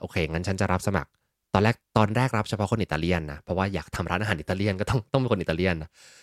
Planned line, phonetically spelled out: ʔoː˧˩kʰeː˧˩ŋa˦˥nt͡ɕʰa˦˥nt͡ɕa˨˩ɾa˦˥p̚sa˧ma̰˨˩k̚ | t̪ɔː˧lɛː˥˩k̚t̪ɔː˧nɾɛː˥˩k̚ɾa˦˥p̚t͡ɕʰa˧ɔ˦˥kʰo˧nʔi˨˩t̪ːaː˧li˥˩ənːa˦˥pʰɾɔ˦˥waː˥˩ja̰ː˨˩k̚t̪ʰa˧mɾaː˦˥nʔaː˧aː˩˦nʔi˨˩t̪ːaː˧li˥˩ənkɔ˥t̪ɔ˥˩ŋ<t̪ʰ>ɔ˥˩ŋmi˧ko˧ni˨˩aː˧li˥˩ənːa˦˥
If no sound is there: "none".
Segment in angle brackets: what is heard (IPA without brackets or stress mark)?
t̪